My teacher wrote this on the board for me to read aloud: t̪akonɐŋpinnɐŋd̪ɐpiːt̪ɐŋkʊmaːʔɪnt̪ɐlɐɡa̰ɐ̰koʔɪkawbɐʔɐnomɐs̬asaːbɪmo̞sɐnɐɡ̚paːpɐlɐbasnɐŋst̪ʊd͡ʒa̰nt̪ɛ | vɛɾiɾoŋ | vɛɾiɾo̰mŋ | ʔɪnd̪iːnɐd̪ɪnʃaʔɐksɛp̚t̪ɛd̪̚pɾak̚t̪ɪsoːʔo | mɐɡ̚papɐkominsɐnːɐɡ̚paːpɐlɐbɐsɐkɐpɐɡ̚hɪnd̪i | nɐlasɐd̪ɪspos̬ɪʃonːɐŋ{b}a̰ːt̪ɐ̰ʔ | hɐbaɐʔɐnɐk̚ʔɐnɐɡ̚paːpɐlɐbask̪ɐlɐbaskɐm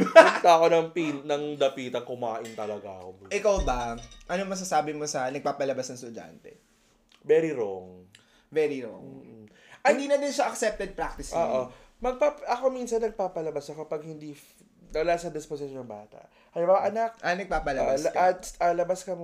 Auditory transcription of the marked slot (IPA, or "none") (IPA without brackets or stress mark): b